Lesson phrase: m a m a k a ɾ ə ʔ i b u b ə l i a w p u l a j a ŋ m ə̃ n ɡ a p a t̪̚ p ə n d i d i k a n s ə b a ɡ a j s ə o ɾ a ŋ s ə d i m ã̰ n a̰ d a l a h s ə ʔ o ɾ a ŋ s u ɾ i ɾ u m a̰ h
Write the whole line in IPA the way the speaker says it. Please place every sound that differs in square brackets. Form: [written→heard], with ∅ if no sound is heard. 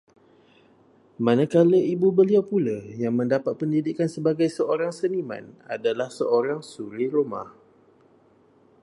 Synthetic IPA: m a [m→n] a k a [ɾ→l] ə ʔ i b u b ə l i a w p u l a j a ŋ m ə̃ n [ɡ→d] a p a t̪̚ p ə n d i d i k a n s ə b a ɡ a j s ə o ɾ a ŋ s ə [d→n] i m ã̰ n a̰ d a l a h s ə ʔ o ɾ a ŋ s u ɾ i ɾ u m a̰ h

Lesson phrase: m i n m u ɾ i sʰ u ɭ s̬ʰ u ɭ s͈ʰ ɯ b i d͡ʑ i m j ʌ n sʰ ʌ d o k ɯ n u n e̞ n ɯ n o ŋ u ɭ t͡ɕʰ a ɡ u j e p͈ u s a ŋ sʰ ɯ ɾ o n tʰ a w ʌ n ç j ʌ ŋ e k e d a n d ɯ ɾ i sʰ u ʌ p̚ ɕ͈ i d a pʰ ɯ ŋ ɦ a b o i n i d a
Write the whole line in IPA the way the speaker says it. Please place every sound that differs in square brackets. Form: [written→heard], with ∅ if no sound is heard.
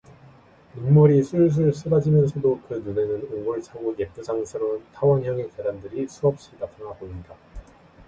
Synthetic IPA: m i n m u ɾ i sʰ u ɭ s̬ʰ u ɭ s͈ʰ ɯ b [i→a] d͡ʑ i m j ʌ n sʰ ʌ d o k ɯ n u n e̞ n ɯ n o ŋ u ɭ t͡ɕʰ a ɡ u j e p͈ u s a ŋ sʰ ɯ ɾ o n tʰ a w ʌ n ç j ʌ ŋ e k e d a n d ɯ ɾ i sʰ u ʌ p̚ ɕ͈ i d a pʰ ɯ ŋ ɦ a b o i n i d a

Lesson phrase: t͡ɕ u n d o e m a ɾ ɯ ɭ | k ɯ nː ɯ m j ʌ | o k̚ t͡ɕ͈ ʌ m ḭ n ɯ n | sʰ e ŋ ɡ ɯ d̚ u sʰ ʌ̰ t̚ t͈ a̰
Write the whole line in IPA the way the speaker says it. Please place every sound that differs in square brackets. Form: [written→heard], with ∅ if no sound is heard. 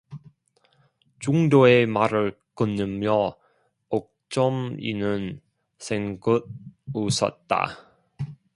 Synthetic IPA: t͡ɕ u [n→ŋ] d o e m a ɾ ɯ ɭ | k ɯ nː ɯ m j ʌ | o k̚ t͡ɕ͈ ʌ m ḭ n ɯ n | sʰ e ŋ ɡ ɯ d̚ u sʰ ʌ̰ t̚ t͈ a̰

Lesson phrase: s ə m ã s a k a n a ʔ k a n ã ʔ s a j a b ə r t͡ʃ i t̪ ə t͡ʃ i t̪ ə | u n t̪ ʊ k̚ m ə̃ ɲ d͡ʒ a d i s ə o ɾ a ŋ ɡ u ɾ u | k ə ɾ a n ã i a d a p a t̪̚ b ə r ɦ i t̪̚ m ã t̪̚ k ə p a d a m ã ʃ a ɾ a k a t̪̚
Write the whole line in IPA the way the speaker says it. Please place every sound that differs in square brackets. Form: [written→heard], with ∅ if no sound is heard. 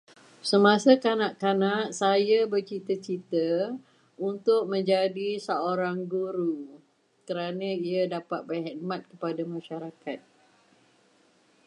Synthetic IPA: s ə m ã s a k a n a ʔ k a n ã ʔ s a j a b ə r t͡ʃ i t̪ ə t͡ʃ i t̪ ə | u n t̪ ʊ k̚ m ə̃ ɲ d͡ʒ a d i s ə o ɾ a ŋ ɡ u ɾ u | k ə ɾ a n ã i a d a p a t̪̚ b ə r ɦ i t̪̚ m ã t̪̚ k ə p a d a m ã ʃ a ɾ a k a t̪̚

